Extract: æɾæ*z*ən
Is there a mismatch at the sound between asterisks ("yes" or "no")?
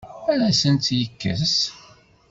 yes